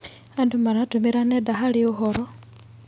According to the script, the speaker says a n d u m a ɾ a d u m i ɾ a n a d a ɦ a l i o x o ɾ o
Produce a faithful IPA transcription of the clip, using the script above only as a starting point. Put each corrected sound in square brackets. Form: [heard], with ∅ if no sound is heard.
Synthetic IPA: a n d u m a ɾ a [t] u m i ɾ a n [e] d a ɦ a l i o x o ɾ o